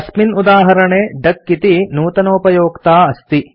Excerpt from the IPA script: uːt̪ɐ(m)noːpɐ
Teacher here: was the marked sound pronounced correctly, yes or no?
no